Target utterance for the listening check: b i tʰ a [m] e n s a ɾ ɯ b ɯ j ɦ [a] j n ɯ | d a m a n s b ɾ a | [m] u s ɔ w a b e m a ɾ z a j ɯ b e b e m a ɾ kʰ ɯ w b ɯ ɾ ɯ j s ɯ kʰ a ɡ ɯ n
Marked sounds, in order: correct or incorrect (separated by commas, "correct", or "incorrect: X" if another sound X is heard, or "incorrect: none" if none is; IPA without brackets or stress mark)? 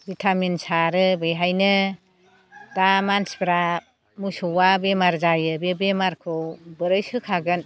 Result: correct, correct, correct